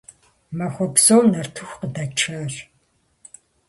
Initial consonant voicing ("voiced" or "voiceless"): voiced